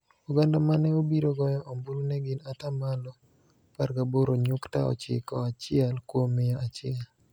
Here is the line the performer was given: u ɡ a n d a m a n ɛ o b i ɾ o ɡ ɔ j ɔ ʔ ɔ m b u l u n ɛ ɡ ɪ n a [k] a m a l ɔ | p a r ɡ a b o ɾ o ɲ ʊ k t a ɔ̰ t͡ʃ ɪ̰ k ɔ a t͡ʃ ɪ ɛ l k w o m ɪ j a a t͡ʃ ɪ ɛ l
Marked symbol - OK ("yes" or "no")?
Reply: no